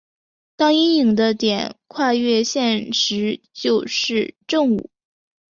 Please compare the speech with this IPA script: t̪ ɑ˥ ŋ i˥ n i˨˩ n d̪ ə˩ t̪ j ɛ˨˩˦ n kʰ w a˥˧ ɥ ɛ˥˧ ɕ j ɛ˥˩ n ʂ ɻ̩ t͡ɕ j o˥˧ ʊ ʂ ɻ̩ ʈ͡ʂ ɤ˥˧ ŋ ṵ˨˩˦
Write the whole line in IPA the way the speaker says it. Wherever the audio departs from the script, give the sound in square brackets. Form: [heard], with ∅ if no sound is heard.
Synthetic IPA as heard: t̪ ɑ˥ ŋ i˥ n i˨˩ [ŋ] d̪ [ə˦] t̪ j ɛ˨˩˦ n kʰ w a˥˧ ɥ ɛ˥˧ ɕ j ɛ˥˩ n ʂ ɻ̩ t͡ɕ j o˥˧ ʊ ʂ ɻ̩ ʈ͡ʂ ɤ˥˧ ŋ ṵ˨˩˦